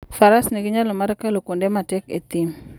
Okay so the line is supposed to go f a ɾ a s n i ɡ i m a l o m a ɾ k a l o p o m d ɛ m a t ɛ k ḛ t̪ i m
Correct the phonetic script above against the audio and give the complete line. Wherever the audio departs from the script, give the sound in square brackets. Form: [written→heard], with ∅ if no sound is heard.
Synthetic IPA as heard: f a ɾ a s n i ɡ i [m→ɲ] a l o m a ɾ k a l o [p→k] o [m→n] d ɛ m a t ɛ k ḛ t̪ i m